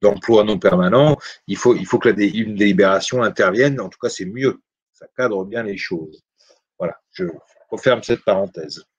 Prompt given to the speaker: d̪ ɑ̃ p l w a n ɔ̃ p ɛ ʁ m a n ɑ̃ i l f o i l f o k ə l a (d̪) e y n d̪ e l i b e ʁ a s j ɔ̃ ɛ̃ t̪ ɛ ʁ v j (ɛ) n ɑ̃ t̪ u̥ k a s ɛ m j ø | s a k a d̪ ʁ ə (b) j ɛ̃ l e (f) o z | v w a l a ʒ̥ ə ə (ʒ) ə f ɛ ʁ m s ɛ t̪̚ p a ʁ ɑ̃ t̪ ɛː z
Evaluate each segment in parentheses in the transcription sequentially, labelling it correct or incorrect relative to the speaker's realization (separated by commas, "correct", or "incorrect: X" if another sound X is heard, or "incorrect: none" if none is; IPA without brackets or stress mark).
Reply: correct, correct, correct, incorrect: ʃ, incorrect: ʁ